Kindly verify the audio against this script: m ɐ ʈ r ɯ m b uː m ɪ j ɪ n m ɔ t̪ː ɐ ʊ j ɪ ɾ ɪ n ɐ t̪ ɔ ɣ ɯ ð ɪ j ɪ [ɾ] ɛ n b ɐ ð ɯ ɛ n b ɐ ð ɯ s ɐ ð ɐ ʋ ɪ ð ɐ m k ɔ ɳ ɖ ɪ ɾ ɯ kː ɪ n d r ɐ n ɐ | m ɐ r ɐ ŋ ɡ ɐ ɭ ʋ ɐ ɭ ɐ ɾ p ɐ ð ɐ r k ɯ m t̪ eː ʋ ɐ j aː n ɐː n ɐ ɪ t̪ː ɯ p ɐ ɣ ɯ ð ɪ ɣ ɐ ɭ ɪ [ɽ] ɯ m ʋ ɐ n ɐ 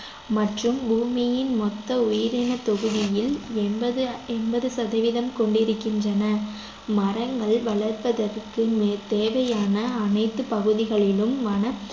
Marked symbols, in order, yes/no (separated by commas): no, no